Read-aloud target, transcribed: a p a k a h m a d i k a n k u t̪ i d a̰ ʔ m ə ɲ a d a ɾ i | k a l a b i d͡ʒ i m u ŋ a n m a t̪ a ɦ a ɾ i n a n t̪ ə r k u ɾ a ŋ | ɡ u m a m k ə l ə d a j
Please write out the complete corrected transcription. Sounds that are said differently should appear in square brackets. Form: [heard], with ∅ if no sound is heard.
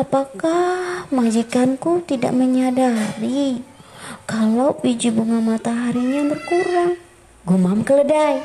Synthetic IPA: a p a k a h m a [d͡ʒ] i k a n k u t̪ i d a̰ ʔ m ə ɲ a d a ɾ i | k a l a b i d͡ʒ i [b] u ŋ a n m a t̪ a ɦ a ɾ i [ɲ] a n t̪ ə r k u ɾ a ŋ | ɡ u m a m k ə l ə d a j